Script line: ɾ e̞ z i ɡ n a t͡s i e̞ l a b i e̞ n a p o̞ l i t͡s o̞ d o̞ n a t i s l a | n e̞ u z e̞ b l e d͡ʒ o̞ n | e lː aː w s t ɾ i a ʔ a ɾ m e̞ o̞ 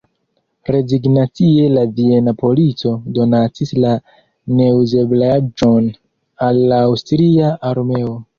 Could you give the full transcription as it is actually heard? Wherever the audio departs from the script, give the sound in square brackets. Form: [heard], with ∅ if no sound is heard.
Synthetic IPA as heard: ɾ e̞ z i ɡ n a t͡s i e̞ l a [v] i e̞ n a p o̞ l i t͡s o̞ d o̞ n a t i s l a | n e̞ u z e̞ b l [a] d͡ʒ o̞ n | [a] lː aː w s t ɾ i a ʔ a ɾ m e̞ o̞